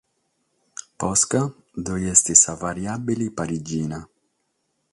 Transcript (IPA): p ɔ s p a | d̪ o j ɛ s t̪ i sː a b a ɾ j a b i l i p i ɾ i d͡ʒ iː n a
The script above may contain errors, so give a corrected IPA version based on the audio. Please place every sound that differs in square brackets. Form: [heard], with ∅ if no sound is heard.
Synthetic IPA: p ɔ s [k] a | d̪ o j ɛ s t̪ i [s] a [v] a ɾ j a b i l i p [a] ɾ i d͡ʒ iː n a